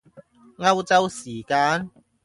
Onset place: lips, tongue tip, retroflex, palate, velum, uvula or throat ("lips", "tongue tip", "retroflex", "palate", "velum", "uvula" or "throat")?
velum